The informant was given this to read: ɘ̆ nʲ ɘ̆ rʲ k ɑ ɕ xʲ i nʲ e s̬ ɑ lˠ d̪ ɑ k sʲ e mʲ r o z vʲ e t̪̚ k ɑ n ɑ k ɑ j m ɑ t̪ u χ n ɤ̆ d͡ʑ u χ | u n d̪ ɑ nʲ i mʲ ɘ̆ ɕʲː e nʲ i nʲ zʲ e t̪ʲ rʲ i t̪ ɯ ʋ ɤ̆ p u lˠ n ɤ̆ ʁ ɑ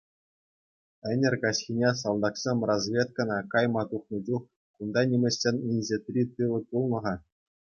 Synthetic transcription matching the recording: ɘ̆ nʲ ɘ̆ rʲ k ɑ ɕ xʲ i nʲ e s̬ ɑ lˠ d̪ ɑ k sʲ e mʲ r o z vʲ e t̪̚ k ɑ n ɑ k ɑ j m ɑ t̪ u χ n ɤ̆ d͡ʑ u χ | u n d̪ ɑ nʲ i mʲ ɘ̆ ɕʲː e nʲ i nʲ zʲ e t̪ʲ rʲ i t̪ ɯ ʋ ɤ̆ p u lˠ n ɤ̆ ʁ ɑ